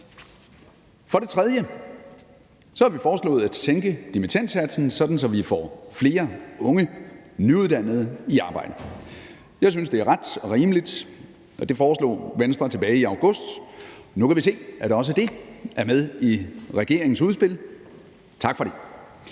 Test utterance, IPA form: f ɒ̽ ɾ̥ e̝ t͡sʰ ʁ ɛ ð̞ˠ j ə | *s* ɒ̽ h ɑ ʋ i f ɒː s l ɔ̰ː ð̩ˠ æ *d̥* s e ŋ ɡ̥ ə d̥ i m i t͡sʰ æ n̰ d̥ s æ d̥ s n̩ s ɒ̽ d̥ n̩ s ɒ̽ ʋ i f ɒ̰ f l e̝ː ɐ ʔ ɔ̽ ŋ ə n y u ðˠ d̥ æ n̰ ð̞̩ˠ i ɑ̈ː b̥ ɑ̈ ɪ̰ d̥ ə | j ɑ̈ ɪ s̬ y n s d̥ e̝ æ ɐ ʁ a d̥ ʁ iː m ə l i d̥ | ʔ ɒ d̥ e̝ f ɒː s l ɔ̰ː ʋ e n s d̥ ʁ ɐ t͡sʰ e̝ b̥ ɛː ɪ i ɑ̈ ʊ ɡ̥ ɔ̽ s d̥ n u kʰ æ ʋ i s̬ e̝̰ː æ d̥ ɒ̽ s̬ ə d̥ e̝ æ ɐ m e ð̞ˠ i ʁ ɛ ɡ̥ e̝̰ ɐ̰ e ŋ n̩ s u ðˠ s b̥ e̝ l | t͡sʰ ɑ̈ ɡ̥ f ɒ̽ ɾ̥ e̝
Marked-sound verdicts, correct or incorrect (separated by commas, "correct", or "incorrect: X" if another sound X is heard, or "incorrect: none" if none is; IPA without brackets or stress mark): correct, correct